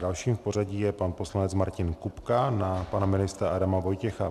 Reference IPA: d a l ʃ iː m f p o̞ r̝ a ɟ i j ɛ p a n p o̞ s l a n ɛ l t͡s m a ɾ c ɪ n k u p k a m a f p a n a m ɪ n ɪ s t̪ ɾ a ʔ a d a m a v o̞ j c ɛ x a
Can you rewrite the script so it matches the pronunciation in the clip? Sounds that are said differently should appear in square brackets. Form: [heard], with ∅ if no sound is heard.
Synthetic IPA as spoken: d a l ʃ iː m f p o̞ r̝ a ɟ i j ɛ p a n p o̞ s l a n ɛ [∅] t͡s m a ɾ c ɪ n k u p k a [n] a [∅] p a n a m ɪ n ɪ s t̪ ɾ a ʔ a d a m a v o̞ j c ɛ x a